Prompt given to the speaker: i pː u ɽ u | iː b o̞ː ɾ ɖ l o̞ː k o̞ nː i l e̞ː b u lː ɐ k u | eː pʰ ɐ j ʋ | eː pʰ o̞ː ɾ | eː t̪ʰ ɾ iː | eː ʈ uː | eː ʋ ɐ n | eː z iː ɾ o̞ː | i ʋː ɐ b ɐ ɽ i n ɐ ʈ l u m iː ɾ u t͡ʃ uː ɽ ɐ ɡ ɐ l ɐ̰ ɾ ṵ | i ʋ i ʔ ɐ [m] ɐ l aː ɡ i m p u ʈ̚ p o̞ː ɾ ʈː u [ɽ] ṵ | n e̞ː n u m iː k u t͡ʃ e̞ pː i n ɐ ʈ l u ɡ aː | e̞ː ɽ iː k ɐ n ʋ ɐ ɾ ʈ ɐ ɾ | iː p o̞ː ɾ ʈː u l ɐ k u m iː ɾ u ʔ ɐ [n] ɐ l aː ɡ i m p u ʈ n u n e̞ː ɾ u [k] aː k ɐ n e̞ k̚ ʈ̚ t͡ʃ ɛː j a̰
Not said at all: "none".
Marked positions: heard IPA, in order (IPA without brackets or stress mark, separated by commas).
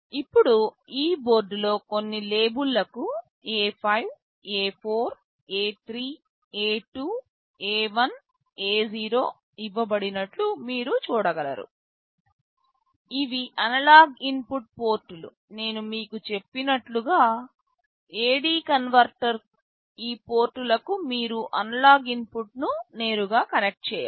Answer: n, l, n, ɡ